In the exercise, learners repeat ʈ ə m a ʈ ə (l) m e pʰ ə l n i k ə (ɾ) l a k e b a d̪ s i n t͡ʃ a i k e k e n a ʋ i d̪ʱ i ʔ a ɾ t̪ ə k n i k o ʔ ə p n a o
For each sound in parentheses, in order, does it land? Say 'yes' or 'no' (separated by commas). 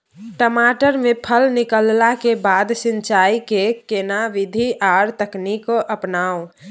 no, no